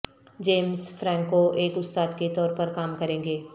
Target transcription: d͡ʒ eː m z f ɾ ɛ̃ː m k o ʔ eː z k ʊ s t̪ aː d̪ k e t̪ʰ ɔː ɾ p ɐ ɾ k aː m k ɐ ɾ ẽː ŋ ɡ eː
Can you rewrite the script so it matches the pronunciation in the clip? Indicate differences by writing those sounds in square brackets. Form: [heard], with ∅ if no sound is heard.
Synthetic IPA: d͡ʒ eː m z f ɾ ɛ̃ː [ŋ] k o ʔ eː [∅] k ʊ s t̪ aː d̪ k e [t̪] ɔː ɾ p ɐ ɾ k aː m k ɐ ɾ ẽː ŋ ɡ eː